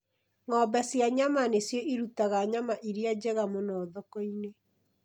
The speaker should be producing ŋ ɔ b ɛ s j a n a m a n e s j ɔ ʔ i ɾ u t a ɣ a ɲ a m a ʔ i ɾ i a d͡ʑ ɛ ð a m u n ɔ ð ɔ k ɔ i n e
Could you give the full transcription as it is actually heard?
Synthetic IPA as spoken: ŋ ɔ b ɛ s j a ɲ a m a n e s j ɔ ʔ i ɾ u t a ɣ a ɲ a m a ʔ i ɾ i a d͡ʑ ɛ ɣ a m o n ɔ ð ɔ k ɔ i n e